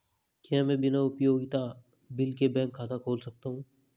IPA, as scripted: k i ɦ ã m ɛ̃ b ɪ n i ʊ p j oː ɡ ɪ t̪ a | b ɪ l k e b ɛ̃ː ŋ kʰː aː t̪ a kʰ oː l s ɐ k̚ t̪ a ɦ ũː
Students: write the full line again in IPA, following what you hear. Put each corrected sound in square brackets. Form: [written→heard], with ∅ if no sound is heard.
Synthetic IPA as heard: k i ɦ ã m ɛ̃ b ɪ n [i→a] ʊ p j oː ɡ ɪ t̪ a | b ɪ l k e b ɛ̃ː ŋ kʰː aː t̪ a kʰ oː l s ɐ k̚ t̪ a ɦ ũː